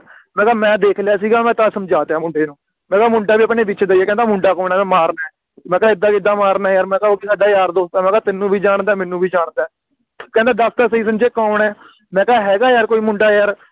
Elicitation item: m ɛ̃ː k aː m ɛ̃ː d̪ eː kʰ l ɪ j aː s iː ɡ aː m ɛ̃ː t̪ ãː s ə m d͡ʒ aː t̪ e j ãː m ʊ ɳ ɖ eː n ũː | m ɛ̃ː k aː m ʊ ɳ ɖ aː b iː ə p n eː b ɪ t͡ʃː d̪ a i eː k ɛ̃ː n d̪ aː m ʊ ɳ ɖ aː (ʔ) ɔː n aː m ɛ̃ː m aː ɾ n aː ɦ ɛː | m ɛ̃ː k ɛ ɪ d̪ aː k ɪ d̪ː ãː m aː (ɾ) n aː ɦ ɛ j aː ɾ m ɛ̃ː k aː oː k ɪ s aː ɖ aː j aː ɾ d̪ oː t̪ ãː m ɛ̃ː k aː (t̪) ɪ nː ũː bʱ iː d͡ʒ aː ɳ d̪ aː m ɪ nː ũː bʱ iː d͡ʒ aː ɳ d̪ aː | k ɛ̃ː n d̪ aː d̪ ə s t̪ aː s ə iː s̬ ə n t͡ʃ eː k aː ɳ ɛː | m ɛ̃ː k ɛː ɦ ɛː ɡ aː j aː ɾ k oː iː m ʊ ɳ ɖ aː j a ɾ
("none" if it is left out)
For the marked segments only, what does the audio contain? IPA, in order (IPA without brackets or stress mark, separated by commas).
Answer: k, ɾ, t̪